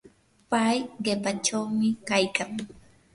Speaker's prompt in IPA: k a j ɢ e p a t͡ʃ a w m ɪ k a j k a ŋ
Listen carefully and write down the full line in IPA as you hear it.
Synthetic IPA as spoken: p a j ɢ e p a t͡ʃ a w m ɪ k a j k a ŋ